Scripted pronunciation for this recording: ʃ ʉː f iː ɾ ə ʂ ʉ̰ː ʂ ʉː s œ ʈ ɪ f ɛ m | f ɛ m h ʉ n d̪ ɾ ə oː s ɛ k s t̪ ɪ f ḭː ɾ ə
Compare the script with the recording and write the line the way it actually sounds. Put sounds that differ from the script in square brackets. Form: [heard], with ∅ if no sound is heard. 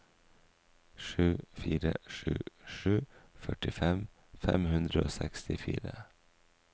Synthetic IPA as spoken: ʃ ʉː f iː ɾ ə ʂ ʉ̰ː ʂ ʉː [f] œ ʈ ɪ f ɛ m | f ɛ m h ʉ n d̪ ɾ ə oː s ɛ k s t̪ ɪ f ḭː ɾ ə